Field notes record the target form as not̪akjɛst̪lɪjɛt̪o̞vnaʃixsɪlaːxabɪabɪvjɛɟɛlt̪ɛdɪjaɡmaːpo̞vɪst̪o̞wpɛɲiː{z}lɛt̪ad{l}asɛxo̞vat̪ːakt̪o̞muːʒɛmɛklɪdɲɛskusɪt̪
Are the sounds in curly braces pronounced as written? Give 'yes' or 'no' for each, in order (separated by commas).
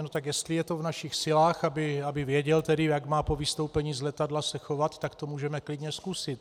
yes, yes